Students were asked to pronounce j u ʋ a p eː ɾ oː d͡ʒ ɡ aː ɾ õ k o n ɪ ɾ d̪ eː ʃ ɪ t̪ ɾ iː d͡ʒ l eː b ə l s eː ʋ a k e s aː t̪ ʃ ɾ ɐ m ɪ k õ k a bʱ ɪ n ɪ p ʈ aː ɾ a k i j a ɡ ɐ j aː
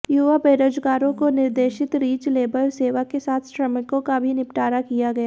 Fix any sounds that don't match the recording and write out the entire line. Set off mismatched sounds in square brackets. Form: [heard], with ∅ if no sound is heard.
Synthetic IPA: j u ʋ a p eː ɾ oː d͡ʒ ɡ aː ɾ õ k o n ɪ ɾ d̪ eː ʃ ɪ t̪ ɾ iː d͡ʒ l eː b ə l s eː ʋ a k e s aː [t̪ʰ] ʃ ɾ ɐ m ɪ k õ k a bʱ [i] n ɪ p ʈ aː ɾ a k i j a ɡ ɐ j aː